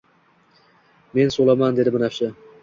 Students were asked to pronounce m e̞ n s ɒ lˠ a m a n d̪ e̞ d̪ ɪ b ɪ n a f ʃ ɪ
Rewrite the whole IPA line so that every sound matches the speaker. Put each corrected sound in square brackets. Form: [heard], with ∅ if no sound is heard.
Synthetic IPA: m e̞ n s [o] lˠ a m a n d̪ e̞ d̪ ɪ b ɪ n a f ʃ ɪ